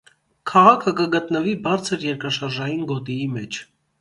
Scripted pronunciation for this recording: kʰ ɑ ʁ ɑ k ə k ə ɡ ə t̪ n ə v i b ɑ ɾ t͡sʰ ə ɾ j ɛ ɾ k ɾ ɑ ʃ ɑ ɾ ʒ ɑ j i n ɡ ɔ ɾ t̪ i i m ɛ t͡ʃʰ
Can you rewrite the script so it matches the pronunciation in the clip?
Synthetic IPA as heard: kʰ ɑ ʁ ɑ kʰ ə k ə ɡ ə t̪ n ə v i b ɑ ɾ t͡sʰ ə ɾ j ɛ ɾ k ɾ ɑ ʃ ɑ ɾ ʒ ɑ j i n ɡ ɔ t̪ i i m ɛ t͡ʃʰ

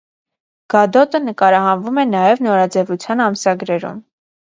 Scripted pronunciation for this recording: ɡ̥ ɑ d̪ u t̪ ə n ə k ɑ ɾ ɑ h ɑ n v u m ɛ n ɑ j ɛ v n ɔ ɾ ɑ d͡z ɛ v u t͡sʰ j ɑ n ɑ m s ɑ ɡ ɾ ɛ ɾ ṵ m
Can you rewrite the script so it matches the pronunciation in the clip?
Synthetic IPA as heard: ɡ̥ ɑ d̪ ɔ t̪ ə n ə k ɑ ɾ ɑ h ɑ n v u m ɛ n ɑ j ɛ v n ɔ ɾ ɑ d͡z ɛ v u t͡sʰ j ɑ n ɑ m s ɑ ɡ ɾ ɛ ɾ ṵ m

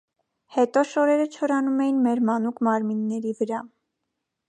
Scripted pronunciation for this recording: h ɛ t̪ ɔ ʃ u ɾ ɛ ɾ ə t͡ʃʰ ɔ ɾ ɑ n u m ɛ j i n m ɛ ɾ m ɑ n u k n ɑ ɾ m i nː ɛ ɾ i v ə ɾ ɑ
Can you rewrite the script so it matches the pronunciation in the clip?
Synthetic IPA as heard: h ɛ t̪ ɔ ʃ ɔ ɾ ɛ ɾ ə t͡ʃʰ ɔ ɾ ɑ n u m ɛ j i n m ɛ ɾ m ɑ n u k m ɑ ɾ m i nː ɛ ɾ i v ə ɾ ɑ

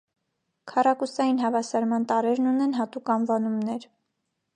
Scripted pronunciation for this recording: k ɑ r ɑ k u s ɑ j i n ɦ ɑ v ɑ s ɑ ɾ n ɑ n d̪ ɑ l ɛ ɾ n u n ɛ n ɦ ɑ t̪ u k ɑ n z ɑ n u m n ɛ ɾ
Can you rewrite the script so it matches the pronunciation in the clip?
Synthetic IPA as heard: kʰ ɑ r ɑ k u s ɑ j i n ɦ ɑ v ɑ s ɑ ɾ m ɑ n t̪ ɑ ɾ ɛ ɾ n u n ɛ n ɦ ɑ t̪ u k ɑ n v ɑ n u m n ɛ ɾ

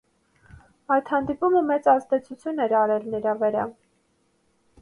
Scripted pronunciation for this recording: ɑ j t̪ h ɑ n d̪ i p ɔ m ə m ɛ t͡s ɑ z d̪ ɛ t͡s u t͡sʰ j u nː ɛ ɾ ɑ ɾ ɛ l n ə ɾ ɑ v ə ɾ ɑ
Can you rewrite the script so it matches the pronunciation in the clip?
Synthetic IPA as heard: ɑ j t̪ h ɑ n d̪ i p u m ə m ɛ t͡s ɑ z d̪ ɛ t͡sʰ u t͡sʰ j u n ɛ ɾ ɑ ɾ ɛ l n ə ɾ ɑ v ə ɾ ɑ

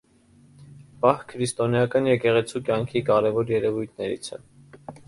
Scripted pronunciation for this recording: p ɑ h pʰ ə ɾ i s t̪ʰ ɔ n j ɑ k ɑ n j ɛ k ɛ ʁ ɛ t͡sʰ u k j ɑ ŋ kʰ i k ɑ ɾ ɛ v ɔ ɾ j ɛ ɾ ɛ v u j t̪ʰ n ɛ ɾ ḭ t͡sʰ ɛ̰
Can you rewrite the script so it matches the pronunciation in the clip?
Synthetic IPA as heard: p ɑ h kʰ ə ɾ i s t̪ ɔ n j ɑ k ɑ n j ɛ k ɛ ʁ ɛ t͡sʰ u k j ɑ ŋ kʰ i k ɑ ɾ ɛ v ɔ ɾ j ɛ ɾ ɛ v u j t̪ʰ n ɛ ɾ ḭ t͡sʰ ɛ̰

